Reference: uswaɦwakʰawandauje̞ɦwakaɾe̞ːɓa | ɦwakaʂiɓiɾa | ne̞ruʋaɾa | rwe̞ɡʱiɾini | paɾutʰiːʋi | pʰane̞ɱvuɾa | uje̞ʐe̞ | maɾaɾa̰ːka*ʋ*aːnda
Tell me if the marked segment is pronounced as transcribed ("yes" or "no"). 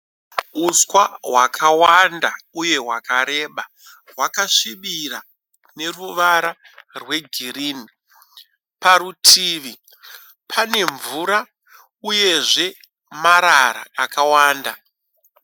no